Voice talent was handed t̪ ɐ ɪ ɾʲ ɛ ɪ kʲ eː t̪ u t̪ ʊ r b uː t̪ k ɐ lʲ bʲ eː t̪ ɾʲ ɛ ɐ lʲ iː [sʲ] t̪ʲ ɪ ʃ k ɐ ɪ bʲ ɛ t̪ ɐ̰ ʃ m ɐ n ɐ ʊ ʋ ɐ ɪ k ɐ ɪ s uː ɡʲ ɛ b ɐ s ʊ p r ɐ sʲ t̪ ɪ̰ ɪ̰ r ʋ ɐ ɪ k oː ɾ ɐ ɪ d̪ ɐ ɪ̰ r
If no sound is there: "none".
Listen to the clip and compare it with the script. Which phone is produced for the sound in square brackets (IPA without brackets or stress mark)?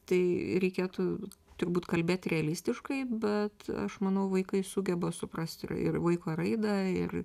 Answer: sʲ